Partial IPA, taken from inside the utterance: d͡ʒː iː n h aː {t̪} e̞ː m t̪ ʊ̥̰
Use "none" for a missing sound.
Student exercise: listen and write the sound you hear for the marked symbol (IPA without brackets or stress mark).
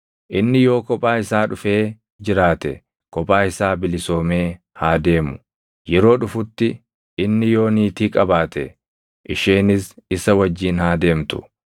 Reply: d̪